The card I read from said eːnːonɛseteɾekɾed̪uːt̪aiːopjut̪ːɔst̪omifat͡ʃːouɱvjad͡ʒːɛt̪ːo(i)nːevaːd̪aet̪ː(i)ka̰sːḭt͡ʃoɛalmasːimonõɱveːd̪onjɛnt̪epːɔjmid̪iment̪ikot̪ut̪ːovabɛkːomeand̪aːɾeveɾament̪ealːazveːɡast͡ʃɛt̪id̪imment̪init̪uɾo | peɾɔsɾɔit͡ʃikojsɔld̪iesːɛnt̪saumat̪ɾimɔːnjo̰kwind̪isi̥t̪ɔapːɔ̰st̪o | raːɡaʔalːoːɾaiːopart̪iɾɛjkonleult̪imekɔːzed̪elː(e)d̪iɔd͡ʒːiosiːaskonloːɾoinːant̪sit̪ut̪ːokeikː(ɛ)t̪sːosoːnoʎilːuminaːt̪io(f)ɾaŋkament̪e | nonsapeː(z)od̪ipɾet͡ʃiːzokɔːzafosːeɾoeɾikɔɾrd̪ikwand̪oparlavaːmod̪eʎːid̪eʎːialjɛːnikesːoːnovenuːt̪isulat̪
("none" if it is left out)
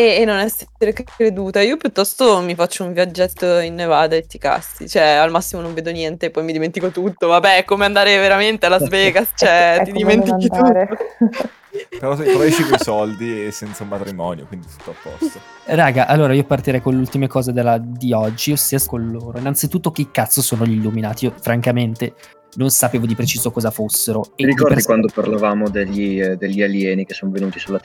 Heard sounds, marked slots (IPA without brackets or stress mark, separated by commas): i, i, a, a, f, v